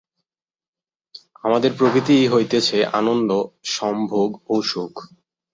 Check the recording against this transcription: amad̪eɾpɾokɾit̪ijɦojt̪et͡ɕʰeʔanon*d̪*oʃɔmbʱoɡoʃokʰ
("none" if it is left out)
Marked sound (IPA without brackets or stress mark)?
d̪